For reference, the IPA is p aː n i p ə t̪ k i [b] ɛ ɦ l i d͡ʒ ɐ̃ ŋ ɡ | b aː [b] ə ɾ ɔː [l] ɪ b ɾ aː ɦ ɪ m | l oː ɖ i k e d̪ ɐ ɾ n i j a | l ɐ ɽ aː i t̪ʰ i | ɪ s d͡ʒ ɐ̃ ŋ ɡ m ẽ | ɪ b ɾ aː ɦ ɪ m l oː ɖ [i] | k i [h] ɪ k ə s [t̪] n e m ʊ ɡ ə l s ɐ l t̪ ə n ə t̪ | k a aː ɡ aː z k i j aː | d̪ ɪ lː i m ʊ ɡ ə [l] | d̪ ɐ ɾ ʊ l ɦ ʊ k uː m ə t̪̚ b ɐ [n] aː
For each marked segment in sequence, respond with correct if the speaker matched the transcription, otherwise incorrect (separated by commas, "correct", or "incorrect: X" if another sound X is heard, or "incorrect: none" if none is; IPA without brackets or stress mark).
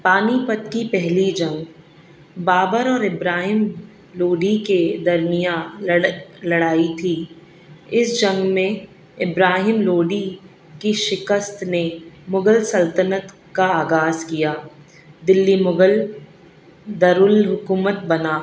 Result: incorrect: p, correct, incorrect: ɾ, correct, incorrect: ʃ, correct, correct, correct